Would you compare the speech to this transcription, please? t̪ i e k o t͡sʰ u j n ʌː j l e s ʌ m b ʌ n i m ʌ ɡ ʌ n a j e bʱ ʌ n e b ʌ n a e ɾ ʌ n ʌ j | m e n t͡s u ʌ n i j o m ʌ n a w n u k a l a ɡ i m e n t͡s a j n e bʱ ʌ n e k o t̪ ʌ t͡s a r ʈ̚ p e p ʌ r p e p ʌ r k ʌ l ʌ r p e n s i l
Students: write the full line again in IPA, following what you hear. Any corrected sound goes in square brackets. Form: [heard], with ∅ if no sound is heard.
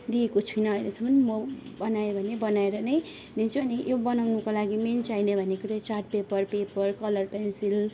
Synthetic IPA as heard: [d̪] i e k o t͡sʰ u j n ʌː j l e s ʌ m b ʌ n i m ʌ [b] ʌ n a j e bʱ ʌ n e b ʌ n a e ɾ ʌ n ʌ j | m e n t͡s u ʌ n i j o [b] ʌ n a w n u k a l a ɡ i m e n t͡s a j n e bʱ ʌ n e k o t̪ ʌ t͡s a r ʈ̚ p e p ʌ r p e p ʌ r k ʌ l ʌ r p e n s i l